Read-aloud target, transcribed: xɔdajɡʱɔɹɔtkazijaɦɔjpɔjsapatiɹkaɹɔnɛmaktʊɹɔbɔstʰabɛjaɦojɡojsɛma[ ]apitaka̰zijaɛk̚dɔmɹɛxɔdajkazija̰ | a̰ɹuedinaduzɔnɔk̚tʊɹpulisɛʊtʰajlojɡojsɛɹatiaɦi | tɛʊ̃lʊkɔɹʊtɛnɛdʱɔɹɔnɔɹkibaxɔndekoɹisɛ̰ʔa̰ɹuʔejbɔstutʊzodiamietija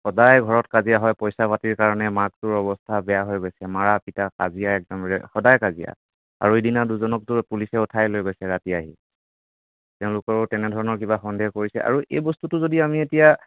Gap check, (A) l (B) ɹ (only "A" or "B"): B